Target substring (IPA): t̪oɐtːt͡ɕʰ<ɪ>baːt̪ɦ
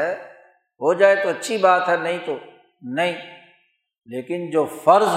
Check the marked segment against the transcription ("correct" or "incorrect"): incorrect